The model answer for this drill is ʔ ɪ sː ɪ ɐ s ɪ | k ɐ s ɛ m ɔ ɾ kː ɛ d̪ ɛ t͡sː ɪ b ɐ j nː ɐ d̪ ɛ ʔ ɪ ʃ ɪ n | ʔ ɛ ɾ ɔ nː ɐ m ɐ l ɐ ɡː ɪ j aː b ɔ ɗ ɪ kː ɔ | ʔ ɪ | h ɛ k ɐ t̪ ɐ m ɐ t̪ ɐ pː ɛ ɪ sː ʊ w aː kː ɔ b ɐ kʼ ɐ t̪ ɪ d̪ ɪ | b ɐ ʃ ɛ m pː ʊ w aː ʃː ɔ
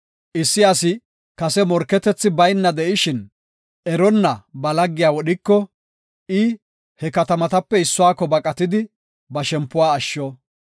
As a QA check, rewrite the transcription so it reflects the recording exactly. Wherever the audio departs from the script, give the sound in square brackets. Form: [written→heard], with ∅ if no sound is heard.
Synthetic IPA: ʔ ɪ sː ɪ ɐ s ɪ | k ɐ s ɛ m ɔ ɾ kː ɛ [d̪→t̪] ɛ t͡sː ɪ b ɐ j nː ɐ d̪ ɛ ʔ ɪ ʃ ɪ n | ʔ ɛ ɾ ɔ nː ɐ [m→b] ɐ l ɐ ɡː ɪ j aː [b→w] ɔ ɗ ɪ kː ɔ | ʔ ɪ | h ɛ k ɐ t̪ ɐ m ɐ t̪ ɐ pː ɛ ɪ sː ʊ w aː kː ɔ b ɐ kʼ ɐ t̪ ɪ d̪ ɪ | b ɐ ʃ ɛ m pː ʊ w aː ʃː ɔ